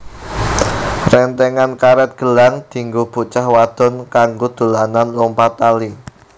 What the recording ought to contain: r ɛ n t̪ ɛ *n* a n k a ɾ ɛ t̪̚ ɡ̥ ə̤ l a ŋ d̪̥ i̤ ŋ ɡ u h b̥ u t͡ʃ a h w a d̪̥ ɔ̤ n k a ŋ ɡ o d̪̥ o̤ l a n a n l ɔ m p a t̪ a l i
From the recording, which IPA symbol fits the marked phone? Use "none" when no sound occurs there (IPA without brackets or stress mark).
ŋ